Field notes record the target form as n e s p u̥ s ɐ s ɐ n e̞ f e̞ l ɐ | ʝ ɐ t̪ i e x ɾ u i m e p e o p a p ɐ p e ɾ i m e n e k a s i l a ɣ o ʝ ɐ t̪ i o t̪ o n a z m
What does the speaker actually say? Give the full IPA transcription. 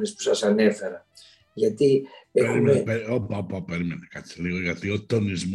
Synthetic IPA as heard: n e s p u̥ s ɐ s ɐ n e̞ f e̞ ɾ ɐ | ʝ ɐ t̪ i e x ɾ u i m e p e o p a p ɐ p e ɾ i m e n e k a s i l i ɣ o ʝ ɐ t̪ i o t̪ o n i z m